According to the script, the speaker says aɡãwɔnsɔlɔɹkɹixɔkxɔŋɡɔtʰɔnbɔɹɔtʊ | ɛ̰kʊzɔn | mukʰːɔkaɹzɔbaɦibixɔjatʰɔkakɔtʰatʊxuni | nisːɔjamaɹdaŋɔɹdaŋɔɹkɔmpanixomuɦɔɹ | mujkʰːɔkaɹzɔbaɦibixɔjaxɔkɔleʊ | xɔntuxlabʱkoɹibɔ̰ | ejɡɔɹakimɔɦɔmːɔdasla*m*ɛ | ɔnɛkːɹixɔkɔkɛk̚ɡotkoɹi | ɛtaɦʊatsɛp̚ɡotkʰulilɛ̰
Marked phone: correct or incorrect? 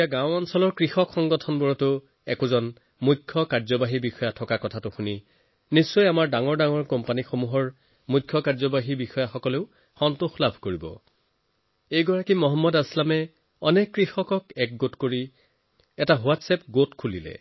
correct